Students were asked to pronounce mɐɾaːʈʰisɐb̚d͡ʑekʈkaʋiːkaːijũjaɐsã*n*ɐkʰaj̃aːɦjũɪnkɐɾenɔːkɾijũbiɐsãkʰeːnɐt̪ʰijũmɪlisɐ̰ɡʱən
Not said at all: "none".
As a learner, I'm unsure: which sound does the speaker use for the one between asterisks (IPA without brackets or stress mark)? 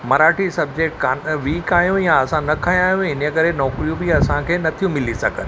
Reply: n